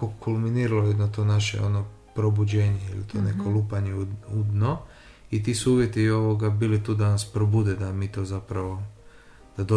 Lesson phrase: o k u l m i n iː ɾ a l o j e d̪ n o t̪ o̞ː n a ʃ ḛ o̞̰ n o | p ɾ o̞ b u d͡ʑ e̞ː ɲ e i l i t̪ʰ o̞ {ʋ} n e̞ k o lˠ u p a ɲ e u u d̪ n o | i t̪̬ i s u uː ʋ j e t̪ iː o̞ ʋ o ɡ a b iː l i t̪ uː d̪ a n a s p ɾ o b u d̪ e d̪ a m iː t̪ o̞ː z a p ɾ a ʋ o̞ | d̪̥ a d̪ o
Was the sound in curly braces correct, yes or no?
no